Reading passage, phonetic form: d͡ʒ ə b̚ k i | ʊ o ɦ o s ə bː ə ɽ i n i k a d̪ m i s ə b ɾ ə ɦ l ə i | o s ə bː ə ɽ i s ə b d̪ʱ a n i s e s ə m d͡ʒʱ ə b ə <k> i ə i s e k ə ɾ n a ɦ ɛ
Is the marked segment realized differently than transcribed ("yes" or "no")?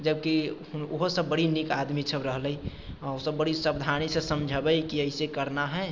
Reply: no